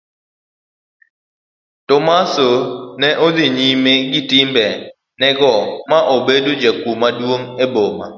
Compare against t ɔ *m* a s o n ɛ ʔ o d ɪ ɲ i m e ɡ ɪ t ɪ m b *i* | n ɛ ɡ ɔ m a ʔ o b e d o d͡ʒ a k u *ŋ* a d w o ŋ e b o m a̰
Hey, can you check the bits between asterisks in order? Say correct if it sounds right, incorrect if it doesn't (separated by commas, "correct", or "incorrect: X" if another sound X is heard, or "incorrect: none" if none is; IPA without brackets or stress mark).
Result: correct, incorrect: ɛ, incorrect: m